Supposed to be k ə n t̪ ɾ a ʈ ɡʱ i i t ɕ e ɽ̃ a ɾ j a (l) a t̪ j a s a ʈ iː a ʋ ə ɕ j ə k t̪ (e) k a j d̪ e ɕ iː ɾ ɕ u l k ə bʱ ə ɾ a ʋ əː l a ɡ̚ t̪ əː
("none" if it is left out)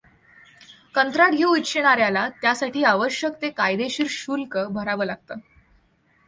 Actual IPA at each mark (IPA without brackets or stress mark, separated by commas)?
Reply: l, e